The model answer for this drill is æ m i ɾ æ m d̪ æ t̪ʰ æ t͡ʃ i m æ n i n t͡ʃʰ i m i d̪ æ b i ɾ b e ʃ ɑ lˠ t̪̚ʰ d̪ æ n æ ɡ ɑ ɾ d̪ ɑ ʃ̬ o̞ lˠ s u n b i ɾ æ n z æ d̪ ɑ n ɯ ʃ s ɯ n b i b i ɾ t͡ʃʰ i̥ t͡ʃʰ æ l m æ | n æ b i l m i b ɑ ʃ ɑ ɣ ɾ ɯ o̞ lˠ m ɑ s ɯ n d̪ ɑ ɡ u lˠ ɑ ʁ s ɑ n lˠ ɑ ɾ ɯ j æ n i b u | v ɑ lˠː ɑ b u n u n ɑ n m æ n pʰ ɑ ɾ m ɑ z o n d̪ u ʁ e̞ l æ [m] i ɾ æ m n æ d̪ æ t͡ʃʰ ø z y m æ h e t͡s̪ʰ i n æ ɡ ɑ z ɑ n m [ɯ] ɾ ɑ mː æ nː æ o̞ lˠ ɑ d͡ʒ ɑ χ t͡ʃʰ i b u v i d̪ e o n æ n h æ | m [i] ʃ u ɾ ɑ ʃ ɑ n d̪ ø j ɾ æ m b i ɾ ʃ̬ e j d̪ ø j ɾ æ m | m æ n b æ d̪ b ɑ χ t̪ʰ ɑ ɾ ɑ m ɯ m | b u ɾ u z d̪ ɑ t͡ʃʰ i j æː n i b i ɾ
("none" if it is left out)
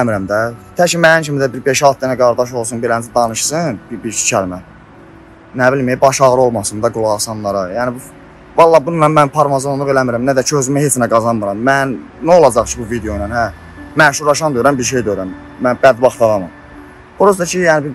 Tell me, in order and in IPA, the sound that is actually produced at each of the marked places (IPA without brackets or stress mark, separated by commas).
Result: m, ɯ, æ